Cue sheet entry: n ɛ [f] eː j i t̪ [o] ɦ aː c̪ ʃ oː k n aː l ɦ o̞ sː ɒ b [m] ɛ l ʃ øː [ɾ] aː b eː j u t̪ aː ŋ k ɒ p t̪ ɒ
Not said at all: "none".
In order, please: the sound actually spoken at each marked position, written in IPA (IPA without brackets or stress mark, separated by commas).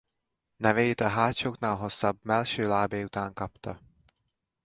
v, ɒ, m, l